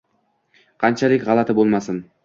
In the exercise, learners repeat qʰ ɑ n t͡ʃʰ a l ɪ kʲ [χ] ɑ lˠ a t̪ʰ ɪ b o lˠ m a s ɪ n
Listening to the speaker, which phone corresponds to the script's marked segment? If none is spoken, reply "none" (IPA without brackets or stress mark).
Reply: ʁ